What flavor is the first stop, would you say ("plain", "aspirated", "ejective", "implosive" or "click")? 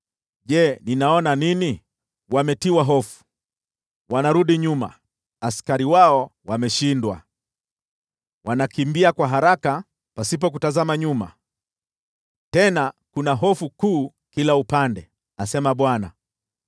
implosive